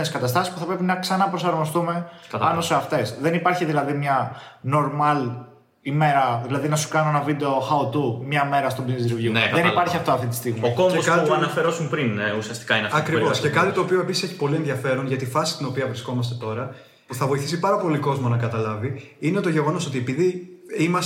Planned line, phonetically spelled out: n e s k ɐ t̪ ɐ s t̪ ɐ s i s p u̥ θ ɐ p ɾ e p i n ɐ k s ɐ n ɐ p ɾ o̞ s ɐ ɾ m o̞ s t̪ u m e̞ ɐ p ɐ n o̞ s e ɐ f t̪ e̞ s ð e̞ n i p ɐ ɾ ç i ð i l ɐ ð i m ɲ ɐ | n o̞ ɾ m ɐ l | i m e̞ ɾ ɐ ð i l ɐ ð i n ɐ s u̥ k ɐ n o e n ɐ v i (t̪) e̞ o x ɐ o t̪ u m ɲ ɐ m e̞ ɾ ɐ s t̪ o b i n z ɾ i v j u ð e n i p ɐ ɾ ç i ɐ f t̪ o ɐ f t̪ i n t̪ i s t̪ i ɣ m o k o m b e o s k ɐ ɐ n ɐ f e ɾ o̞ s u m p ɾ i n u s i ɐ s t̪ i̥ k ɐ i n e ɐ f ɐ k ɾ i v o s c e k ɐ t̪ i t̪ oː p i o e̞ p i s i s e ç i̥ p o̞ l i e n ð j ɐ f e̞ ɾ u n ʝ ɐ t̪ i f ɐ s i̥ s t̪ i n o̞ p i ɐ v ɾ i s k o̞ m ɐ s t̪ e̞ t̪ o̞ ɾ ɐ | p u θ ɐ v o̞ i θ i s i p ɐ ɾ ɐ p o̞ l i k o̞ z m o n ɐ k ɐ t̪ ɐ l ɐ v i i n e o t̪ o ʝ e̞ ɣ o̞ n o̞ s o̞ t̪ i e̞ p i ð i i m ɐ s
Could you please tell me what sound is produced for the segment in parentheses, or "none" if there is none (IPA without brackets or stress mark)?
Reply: d̪